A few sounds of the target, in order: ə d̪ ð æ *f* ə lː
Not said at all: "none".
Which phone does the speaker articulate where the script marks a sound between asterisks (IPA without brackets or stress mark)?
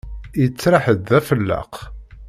f